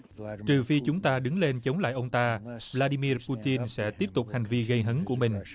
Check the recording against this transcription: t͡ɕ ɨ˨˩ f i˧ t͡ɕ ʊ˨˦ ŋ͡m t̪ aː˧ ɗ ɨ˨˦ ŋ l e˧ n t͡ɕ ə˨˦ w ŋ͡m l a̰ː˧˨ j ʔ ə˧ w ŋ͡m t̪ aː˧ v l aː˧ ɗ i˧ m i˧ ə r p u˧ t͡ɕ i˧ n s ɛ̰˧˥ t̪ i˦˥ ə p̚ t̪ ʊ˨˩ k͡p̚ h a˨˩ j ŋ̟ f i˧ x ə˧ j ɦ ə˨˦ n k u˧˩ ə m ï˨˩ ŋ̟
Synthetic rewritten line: t͡ɕ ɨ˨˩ f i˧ t͡ɕ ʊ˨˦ ŋ͡m t̪ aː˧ ɗ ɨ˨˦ ŋ l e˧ n t͡ɕ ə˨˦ w ŋ͡m l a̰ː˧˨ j ʔ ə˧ w ŋ͡m t̪ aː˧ v l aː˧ ɗ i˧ m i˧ ə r p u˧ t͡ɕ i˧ n s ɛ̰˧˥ t̪ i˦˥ ə p̚ t̪ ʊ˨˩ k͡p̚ h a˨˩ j ŋ̟ v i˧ ɣ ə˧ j ɦ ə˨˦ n k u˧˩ ə m ï˨˩ ŋ̟